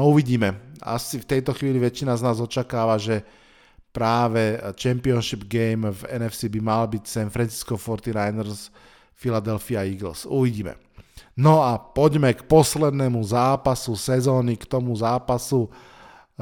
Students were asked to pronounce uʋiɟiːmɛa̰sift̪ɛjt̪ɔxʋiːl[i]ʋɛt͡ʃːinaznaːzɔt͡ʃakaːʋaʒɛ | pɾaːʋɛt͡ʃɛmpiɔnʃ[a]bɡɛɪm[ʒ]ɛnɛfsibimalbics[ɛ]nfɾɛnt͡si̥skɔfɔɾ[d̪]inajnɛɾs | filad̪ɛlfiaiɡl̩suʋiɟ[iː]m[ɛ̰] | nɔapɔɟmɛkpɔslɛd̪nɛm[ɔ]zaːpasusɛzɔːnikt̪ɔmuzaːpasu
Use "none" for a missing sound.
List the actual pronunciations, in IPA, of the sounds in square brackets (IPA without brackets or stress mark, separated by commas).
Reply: i, i, v, ɛ, t̪, iː, ɛ̰, u